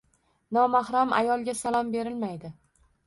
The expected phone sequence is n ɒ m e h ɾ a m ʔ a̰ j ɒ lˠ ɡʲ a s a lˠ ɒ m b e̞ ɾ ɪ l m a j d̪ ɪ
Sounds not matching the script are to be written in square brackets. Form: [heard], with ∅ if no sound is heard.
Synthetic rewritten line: n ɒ m [a] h ɾ a m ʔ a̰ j ɒ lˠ ɡʲ a s a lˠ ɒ m b e̞ ɾ ɪ l m a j d̪ ɪ